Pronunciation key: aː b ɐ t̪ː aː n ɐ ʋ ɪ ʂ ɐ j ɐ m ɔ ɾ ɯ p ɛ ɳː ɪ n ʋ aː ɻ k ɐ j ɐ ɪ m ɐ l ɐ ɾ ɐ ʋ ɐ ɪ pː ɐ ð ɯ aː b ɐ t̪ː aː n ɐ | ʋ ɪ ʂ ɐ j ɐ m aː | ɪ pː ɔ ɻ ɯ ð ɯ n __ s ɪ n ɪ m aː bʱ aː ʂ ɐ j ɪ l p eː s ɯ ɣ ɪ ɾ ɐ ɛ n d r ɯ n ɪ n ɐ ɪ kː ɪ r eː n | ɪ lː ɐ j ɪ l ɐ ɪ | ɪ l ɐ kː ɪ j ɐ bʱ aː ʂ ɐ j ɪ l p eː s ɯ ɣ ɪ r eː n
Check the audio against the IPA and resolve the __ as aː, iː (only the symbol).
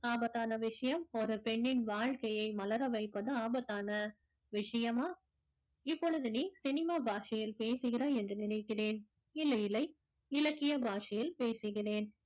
iː